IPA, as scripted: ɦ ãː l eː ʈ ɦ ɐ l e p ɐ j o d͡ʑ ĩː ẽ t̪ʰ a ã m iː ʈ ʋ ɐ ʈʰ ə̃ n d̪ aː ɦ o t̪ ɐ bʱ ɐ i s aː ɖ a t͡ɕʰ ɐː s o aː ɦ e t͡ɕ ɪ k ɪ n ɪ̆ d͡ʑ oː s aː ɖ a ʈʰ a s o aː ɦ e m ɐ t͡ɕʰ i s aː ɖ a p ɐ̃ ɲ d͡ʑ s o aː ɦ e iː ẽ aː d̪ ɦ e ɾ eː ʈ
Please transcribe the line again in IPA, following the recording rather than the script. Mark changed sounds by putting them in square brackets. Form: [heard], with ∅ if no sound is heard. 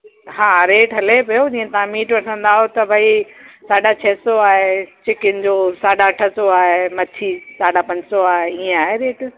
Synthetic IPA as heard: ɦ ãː [ɾ] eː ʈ ɦ ɐ l e p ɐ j o d͡ʑ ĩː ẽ [t̪] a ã m iː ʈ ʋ ɐ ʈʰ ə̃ n d̪ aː ɦ o t̪ ɐ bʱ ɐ i s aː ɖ a t͡ɕʰ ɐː s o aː ɦ e t͡ɕ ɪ k ɪ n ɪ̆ d͡ʑ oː s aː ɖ a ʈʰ [ə] s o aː ɦ e m ɐ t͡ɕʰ i s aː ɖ a p ɐ̃ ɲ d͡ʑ s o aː ɦ e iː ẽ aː [∅] ɦ e ɾ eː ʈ

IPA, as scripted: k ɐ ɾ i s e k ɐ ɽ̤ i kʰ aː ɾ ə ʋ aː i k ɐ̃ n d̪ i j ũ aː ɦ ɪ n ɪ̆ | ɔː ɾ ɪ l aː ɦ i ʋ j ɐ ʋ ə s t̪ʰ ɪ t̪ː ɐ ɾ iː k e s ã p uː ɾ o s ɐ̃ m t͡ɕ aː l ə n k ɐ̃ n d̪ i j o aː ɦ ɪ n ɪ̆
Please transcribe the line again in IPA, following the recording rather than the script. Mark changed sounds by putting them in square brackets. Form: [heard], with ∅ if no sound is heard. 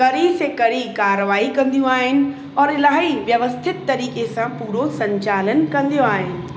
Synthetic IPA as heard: k ɐ ɾ i s e k ɐ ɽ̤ i [k] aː ɾ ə ʋ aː i k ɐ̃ n d̪ i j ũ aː ɦ ɪ n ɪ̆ | ɔː ɾ ɪ l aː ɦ i ʋ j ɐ ʋ ə s t̪ʰ ɪ t̪ː ɐ ɾ iː k e s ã p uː ɾ o s ɐ̃ [ɲ] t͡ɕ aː l ə n k ɐ̃ n d̪ i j o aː ɦ ɪ n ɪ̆

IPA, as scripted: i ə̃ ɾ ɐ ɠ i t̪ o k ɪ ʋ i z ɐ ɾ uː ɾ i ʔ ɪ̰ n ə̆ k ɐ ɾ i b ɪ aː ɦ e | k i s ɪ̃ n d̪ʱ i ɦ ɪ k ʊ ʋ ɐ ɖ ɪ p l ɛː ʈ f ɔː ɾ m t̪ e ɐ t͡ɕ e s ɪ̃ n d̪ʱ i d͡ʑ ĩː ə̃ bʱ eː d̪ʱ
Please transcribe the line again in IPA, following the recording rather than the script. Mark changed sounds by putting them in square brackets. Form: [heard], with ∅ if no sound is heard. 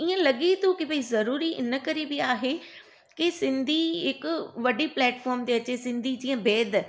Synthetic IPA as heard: i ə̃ [l] ɐ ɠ i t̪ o k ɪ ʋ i z ɐ ɾ uː ɾ i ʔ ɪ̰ n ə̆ k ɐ ɾ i b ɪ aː ɦ e | k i s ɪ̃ n d̪ʱ i ɦ ɪ k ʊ ʋ ɐ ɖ [i] p l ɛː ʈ f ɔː ɾ m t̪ e ɐ t͡ɕ e s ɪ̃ n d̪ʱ i d͡ʑ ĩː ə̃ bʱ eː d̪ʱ

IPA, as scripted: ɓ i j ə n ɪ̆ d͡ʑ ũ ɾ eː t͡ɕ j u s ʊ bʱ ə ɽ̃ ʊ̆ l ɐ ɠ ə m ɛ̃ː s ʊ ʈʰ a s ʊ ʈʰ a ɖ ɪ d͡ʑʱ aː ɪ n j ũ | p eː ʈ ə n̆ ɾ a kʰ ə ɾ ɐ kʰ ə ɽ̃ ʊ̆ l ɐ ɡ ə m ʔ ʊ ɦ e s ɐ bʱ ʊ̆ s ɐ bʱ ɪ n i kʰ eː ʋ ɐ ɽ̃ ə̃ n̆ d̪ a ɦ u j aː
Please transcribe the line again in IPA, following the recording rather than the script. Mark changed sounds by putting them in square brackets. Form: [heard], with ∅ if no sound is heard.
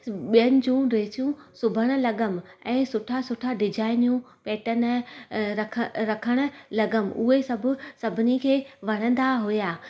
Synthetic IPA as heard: ɓ i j ə n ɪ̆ d͡ʑ ũ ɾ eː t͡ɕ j [ũ] s ʊ bʱ ə ɽ̃ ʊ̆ l ɐ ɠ ə m ɛ̃ː s ʊ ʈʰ a s ʊ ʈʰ a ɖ ɪ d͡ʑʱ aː ɪ n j ũ | p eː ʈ ə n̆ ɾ [ɐ] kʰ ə ɾ ɐ kʰ ə ɽ̃ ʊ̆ l ɐ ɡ ə m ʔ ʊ ɦ e s ɐ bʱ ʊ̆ s ɐ bʱ ɪ n i kʰ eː ʋ ɐ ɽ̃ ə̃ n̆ d̪ a ɦ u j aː

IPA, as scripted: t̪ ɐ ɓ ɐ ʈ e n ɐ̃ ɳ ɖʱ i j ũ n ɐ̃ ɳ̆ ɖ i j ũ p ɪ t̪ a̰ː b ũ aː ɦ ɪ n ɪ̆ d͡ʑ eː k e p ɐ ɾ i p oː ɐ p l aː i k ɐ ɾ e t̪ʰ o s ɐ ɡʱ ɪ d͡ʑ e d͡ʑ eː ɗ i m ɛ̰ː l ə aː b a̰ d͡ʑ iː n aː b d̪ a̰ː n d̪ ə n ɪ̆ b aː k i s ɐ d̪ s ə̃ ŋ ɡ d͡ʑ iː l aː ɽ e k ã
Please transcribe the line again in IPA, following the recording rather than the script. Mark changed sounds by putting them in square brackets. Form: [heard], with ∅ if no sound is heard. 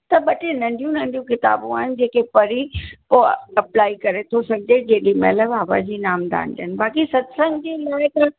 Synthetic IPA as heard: t̪ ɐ ɓ ɐ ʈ e n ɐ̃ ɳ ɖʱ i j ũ n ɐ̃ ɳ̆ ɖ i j ũ [k] ɪ t̪ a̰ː b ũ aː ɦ ɪ n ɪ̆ d͡ʑ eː k e p ɐ ɾ i p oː ɐ p l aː i k ɐ ɾ e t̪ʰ o s ɐ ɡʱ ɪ d͡ʑ e d͡ʑ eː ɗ i m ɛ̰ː l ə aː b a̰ d͡ʑ iː n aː [m] d̪ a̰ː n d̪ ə n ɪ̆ b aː k i s ɐ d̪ s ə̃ ŋ ɡ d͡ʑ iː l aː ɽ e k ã

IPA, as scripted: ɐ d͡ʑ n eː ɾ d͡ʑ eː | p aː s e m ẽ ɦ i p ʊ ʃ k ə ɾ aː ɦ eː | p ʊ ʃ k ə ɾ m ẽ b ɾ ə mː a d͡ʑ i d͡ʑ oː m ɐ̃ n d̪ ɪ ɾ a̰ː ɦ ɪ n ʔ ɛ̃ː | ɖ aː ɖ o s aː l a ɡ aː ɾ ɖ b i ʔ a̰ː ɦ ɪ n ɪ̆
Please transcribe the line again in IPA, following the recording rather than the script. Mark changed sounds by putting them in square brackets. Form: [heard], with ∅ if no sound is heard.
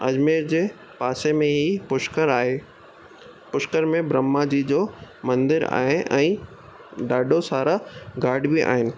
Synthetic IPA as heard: ɐ d͡ʑ [m] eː ɾ d͡ʑ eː | p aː s e m ẽ ɦ i p ʊ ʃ k ə ɾ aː ɦ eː | p ʊ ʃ k ə ɾ m ẽ b ɾ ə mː a d͡ʑ i d͡ʑ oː m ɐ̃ n d̪ ɪ ɾ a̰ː ɦ ɪ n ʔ ɛ̃ː | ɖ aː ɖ o s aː [ɾ] a ɡ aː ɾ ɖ b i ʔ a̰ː ɦ ɪ n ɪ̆

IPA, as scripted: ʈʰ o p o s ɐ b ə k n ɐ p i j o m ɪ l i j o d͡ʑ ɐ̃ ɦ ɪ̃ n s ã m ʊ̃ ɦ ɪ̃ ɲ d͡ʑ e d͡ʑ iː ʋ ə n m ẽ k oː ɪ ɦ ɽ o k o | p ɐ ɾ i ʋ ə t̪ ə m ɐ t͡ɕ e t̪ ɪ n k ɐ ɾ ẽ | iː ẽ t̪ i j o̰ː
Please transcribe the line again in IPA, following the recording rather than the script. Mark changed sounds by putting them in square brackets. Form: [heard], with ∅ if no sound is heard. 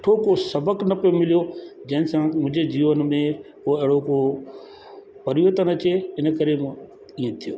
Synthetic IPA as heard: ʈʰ o [k] o s ɐ b ə k n ɐ p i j o m ɪ l i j o d͡ʑ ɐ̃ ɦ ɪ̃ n s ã m ʊ̃ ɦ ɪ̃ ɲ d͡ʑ e d͡ʑ iː ʋ ə n m ẽ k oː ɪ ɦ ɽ o k o | p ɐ ɾ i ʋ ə t̪ ə [n] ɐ t͡ɕ e [∅] ɪ n k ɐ ɾ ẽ | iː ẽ [t̪ʰ] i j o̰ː

